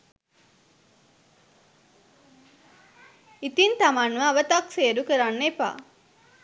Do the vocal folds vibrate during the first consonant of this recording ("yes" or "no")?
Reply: no